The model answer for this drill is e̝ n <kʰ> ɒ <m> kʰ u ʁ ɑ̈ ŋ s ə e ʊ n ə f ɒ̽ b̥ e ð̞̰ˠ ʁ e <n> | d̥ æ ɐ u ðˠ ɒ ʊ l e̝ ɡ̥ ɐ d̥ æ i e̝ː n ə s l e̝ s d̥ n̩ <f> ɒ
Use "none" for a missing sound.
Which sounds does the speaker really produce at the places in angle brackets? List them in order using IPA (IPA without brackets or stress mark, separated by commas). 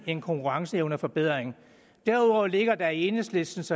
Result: kʰ, ŋ, ŋ, s